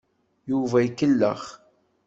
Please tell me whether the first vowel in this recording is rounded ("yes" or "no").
yes